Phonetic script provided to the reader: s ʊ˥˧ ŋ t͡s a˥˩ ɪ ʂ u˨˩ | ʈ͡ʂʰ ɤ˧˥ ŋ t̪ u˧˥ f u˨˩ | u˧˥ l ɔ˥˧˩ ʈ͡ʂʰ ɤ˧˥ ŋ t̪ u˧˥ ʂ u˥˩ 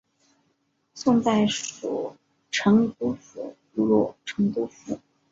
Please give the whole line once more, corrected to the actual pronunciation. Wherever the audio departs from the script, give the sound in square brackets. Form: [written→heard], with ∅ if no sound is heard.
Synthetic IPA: s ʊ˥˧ ŋ t͡s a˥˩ ɪ ʂ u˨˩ | ʈ͡ʂʰ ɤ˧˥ ŋ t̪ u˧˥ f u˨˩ | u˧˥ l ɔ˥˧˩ ʈ͡ʂʰ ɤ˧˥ ŋ t̪ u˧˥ [ʂ→f] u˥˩

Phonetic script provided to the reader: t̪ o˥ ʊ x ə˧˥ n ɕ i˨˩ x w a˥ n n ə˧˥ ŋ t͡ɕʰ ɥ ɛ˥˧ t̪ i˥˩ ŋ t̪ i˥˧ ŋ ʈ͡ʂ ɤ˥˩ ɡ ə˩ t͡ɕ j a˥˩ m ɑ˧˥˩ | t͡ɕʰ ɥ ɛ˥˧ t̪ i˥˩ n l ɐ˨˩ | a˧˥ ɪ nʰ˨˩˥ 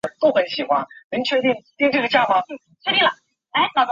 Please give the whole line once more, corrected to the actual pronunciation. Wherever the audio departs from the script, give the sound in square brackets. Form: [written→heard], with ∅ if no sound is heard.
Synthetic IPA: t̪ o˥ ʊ x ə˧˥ n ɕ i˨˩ x w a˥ n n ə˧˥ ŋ t͡ɕʰ ɥ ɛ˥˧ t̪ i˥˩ ŋ t̪ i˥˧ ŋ ʈ͡ʂ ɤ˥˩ ɡ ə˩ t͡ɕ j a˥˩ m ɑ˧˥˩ | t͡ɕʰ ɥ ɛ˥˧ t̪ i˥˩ [n→ŋ] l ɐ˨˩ | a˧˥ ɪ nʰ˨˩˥

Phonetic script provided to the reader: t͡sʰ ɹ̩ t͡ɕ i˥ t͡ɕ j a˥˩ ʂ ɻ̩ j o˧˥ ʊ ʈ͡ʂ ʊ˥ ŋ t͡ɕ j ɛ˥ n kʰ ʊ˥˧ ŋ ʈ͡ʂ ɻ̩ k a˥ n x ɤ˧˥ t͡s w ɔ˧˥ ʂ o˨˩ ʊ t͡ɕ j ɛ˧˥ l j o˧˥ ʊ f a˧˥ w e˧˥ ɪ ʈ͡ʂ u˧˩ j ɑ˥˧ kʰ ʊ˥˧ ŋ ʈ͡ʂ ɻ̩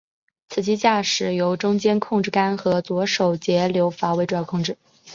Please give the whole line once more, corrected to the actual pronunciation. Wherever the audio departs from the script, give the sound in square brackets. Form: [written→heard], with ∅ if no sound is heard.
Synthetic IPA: t͡sʰ ɹ̩ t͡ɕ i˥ t͡ɕ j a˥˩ ʂ ɻ̩ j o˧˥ ʊ ʈ͡ʂ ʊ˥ ŋ t͡ɕ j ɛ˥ n kʰ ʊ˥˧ ŋ ʈ͡ʂ ɻ̩ k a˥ n x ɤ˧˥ t͡s w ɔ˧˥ ʂ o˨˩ ʊ t͡ɕ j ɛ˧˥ l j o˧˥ ʊ f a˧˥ w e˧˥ ɪ ʈ͡ʂ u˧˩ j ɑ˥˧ kʰ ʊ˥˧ ŋ ʈ͡ʂ ɻ̩

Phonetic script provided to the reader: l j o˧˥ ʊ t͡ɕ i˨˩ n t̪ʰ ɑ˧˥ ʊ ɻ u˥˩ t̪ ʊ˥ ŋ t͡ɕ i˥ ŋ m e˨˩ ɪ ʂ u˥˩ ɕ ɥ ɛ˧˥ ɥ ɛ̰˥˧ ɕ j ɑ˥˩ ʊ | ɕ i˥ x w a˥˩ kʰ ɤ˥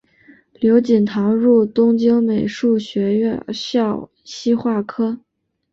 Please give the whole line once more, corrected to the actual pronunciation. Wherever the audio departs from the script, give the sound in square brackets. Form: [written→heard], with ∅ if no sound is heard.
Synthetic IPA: l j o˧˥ ʊ t͡ɕ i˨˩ n t̪ʰ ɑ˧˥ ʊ ɻ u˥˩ t̪ ʊ˥ ŋ t͡ɕ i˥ ŋ m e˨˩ ɪ ʂ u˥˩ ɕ ɥ ɛ˧˥ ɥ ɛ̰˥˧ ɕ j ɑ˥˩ ʊ | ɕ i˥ x w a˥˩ kʰ ɤ˥

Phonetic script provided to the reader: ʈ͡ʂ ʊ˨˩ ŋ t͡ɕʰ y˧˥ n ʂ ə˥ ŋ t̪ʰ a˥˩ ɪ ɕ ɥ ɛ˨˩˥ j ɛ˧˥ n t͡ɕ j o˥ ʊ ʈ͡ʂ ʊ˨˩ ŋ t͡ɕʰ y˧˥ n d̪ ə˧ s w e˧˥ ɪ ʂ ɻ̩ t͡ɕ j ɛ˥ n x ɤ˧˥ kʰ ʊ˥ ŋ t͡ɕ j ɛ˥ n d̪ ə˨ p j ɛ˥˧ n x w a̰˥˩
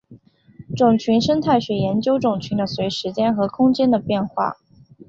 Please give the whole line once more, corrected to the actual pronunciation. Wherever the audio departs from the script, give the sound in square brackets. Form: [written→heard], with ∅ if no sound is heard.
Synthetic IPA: ʈ͡ʂ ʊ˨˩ ŋ t͡ɕʰ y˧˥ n ʂ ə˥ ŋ t̪ʰ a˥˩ ɪ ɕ ɥ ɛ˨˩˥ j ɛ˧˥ n t͡ɕ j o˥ ʊ ʈ͡ʂ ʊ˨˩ ŋ t͡ɕʰ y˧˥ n d̪ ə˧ s w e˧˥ ɪ ʂ ɻ̩ t͡ɕ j ɛ˥ n x ɤ˧˥ kʰ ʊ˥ ŋ t͡ɕ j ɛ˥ n d̪ ə˨ p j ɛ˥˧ n x w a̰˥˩

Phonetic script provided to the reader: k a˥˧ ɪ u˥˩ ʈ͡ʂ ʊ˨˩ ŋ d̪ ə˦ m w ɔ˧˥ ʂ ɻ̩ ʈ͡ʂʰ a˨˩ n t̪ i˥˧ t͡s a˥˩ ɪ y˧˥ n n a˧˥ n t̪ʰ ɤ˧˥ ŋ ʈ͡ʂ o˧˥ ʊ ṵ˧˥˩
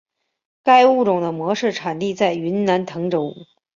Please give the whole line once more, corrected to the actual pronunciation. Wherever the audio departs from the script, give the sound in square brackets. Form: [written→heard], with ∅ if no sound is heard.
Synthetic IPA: k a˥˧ ɪ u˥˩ ʈ͡ʂ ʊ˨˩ ŋ d̪ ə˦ m w ɔ˧˥ ʂ ɻ̩ ʈ͡ʂʰ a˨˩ n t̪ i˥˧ t͡s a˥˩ ɪ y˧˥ n n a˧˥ n t̪ʰ ɤ˧˥ ŋ ʈ͡ʂ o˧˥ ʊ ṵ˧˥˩

